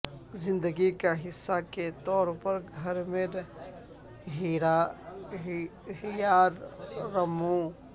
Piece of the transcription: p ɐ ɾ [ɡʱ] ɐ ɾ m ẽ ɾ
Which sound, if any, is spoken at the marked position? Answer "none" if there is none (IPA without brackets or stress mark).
ɡʱ